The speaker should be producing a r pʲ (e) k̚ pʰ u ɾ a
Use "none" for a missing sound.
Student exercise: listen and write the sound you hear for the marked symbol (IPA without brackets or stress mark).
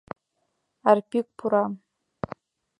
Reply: i